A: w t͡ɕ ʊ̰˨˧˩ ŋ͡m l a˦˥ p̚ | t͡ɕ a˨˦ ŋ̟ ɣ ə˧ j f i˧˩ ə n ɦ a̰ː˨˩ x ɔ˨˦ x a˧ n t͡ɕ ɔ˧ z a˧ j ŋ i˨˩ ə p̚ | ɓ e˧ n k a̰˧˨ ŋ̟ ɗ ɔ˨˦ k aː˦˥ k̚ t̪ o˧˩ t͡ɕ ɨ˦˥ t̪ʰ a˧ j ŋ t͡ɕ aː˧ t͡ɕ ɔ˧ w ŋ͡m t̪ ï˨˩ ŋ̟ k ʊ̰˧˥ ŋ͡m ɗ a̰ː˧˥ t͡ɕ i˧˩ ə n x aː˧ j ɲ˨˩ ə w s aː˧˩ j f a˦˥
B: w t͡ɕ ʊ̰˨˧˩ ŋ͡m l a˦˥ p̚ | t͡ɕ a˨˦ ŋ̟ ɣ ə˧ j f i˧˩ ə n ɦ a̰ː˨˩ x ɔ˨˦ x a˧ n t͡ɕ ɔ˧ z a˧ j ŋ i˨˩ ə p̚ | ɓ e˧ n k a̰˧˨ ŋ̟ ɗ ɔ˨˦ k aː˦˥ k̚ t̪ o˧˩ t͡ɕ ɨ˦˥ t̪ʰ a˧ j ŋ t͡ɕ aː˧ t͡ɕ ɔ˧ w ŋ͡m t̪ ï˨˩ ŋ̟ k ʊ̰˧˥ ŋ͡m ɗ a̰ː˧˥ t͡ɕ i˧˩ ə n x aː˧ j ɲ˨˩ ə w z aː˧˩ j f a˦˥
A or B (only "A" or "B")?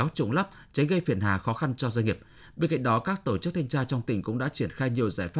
B